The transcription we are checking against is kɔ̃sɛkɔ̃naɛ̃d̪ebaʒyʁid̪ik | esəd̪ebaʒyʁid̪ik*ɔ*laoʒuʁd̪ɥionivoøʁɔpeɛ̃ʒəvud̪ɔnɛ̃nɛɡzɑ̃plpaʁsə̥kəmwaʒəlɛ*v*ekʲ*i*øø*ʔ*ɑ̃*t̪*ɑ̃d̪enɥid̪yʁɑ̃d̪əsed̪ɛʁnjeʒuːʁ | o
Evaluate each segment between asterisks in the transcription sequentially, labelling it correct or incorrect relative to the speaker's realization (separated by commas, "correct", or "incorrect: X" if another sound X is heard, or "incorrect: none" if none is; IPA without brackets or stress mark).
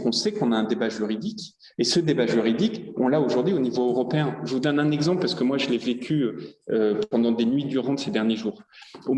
incorrect: ɔ̃, correct, incorrect: y, incorrect: p, incorrect: d̪